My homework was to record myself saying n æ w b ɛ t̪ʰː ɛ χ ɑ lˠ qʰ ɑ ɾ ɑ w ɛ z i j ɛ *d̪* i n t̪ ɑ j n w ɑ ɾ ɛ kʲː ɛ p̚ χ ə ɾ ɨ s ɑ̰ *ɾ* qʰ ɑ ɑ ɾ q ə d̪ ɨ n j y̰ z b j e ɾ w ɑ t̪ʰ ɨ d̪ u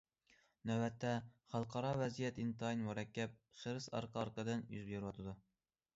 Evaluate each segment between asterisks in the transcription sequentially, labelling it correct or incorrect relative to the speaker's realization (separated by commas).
incorrect, correct